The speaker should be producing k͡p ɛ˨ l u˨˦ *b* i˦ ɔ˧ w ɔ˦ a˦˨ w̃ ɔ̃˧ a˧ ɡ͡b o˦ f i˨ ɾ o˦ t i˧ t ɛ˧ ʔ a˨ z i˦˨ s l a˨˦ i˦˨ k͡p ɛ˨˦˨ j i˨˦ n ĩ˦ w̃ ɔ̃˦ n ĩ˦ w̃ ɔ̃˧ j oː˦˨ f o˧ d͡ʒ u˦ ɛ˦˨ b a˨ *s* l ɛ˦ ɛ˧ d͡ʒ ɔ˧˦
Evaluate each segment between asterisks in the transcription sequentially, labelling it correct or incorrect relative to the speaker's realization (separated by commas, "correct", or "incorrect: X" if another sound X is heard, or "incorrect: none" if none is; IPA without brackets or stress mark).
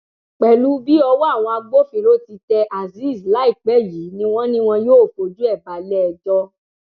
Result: correct, incorrect: none